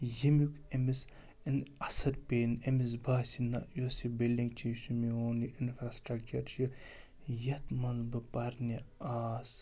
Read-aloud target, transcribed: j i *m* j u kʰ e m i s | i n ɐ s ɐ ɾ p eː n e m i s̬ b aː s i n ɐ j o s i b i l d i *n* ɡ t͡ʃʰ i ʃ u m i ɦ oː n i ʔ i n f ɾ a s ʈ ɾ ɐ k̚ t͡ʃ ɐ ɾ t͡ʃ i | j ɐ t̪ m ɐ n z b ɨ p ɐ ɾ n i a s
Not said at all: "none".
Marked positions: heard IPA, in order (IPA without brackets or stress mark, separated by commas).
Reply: m, ŋ